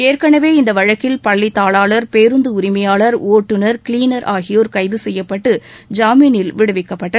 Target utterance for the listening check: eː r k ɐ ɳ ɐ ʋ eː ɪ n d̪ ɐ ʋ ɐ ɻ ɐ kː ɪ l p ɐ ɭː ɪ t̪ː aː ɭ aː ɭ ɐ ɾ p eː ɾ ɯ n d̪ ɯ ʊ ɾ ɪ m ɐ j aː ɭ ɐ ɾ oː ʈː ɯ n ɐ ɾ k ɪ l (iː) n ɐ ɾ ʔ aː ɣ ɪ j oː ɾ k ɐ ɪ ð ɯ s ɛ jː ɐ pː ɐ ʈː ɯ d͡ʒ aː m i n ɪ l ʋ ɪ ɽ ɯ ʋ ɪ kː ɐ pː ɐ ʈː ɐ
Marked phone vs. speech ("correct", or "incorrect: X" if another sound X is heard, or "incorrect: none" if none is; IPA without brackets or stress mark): correct